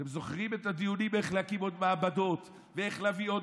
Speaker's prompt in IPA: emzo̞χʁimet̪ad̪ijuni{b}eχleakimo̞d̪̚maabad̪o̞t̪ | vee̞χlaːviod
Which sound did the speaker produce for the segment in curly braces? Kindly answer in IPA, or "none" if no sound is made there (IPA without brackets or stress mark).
m